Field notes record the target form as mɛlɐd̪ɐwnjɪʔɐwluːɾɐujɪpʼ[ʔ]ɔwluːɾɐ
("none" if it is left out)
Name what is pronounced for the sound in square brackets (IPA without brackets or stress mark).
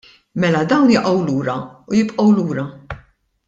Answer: ʔ